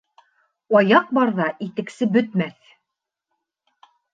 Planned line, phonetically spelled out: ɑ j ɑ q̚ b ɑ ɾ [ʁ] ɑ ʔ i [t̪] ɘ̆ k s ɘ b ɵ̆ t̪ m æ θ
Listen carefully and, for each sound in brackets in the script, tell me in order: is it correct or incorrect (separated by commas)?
incorrect, correct